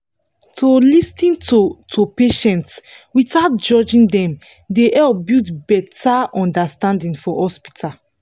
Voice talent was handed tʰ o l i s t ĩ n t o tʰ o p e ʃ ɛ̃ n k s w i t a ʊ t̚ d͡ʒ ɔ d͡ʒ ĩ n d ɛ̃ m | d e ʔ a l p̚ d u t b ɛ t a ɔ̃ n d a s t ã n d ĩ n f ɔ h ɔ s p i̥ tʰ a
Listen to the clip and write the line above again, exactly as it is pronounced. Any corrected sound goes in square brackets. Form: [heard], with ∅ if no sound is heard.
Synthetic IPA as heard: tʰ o l i s t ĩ n t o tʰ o p e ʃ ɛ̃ n [t] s w i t a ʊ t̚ d͡ʒ ɔ d͡ʒ ĩ n d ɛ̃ m | d e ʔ [ɛ] l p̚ [b] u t b ɛ t a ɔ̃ n d a s t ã n d ĩ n f ɔ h ɔ s p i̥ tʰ a

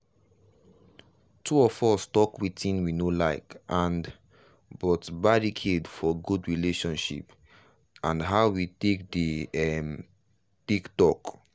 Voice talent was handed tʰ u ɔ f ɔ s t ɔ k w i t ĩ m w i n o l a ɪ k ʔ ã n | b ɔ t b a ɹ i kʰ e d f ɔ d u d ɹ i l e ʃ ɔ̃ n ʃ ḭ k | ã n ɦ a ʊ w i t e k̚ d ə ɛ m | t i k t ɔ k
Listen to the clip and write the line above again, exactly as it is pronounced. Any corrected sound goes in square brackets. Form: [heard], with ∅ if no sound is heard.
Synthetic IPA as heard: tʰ u ɔ f ɔ s t ɔ k w i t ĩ [n] w i n o l a ɪ k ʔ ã n | b ɔ t b a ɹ i kʰ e d f ɔ [ɡ] u d ɹ i l e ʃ ɔ̃ n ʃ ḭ [p] | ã n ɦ a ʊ w i t e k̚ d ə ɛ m | t i k t ɔ k

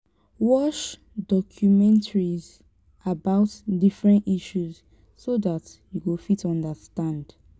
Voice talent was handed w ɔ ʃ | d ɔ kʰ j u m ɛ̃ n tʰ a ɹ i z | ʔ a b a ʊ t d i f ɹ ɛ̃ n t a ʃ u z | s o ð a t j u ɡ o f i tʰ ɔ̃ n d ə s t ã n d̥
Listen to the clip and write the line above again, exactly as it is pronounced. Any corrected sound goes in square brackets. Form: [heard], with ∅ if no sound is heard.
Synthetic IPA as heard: w ɔ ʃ | d ɔ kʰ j u m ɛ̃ n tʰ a ɹ i z | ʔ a b a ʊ t d i f ɹ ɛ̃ n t [i] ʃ u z | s o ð a t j u ɡ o f i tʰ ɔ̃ n d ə s t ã n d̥

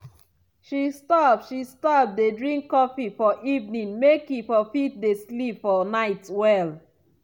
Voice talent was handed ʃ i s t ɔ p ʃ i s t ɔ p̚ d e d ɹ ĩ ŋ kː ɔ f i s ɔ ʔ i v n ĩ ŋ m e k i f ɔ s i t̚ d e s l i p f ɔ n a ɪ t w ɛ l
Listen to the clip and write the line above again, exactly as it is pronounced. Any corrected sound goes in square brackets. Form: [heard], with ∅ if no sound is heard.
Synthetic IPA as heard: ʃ i s t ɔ p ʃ i s t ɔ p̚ d e d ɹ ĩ ŋ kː ɔ f i [f] ɔ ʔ i v n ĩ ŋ m e k i f ɔ [f] i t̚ d e s l i p f ɔ n a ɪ t w ɛ l

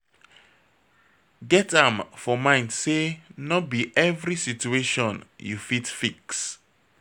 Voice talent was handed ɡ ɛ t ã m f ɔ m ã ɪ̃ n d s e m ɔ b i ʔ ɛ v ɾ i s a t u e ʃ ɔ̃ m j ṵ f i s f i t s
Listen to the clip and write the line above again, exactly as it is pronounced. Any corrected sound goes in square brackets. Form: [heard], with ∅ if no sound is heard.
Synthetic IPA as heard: ɡ ɛ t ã m f ɔ m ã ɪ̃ n d s e [n] ɔ b i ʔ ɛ v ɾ i s [i] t u e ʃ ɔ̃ [n] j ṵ f i [t] f i [k] s

